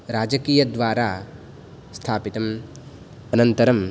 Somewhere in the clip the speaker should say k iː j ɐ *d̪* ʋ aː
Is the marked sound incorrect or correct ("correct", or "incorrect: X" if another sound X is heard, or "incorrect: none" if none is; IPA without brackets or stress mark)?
correct